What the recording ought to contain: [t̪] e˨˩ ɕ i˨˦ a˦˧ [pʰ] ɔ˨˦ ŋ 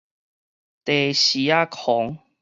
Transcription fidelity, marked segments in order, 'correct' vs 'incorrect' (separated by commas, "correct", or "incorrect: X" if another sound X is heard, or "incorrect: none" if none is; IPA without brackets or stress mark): correct, incorrect: kʰ